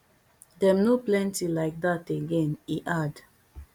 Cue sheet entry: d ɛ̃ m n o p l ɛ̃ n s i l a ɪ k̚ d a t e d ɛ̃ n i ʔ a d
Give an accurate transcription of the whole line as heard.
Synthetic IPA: d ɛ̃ m n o p l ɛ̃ n t i l a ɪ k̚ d a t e ɡ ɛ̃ n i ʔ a d